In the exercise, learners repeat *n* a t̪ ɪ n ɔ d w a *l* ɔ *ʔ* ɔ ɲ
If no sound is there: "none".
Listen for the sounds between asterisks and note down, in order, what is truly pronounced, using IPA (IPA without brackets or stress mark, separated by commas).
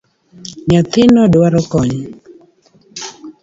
ɲ, ɾ, k